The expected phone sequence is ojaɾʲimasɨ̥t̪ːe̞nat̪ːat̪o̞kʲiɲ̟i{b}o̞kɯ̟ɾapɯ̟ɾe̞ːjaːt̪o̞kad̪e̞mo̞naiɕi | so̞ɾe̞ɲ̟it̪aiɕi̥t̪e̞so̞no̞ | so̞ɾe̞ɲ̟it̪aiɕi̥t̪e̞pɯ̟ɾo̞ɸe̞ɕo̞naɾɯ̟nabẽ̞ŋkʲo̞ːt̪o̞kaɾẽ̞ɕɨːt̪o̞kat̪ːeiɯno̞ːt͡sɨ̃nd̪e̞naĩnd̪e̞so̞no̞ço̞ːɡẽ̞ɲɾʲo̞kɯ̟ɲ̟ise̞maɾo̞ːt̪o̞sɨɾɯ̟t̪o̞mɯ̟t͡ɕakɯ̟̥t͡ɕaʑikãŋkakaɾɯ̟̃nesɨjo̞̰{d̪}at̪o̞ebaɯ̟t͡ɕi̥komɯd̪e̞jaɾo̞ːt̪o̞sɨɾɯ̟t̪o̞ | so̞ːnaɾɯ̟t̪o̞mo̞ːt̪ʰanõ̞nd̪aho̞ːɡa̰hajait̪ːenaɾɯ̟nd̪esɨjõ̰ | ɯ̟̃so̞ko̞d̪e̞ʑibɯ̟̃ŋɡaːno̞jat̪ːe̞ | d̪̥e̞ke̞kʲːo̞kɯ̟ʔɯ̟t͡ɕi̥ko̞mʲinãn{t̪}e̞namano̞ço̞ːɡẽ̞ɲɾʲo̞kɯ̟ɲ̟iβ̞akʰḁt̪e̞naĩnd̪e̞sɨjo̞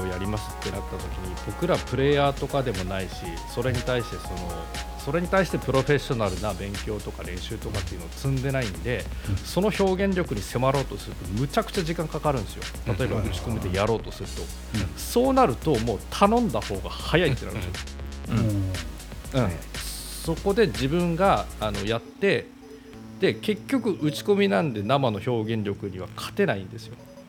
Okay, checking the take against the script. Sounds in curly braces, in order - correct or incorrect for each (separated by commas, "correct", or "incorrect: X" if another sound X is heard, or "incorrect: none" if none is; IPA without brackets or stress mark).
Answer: correct, incorrect: t̪, incorrect: d̪